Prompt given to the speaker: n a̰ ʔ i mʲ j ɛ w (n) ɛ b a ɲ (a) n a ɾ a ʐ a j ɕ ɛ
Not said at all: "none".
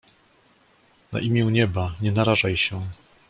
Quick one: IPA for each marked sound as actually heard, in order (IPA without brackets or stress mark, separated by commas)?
ɲ, ɛ